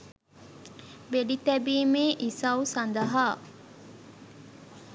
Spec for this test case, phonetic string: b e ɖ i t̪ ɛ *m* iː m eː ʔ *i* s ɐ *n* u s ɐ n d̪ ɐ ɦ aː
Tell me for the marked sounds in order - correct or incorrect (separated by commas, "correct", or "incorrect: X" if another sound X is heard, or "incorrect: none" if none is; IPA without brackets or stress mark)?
incorrect: b, correct, incorrect: none